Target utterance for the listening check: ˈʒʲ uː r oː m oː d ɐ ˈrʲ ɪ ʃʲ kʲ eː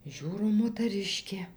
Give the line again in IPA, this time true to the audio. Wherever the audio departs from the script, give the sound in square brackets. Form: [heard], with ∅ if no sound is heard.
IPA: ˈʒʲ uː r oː m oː [t] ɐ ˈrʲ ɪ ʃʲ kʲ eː